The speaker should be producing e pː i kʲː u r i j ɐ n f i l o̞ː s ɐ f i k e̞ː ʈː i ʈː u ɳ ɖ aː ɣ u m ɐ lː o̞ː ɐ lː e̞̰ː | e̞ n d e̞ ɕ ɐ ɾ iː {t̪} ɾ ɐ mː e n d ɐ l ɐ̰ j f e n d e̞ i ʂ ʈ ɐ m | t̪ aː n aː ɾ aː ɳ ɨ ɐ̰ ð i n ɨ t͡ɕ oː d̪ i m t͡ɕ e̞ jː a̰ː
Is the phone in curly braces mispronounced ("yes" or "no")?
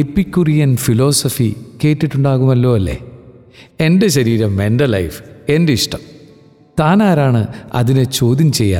yes